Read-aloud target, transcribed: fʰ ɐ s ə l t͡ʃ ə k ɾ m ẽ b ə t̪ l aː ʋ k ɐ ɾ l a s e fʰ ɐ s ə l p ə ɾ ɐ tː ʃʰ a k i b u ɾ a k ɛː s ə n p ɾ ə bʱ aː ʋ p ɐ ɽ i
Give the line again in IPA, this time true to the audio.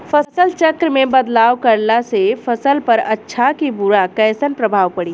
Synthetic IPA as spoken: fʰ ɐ s ə l t͡ʃ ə k ɾ m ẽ b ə d̪ l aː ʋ k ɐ ɾ l a s e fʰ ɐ s ə l p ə ɾ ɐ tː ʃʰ a k i b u ɾ a k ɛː s ə n p ɾ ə bʱ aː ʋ p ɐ ɽ i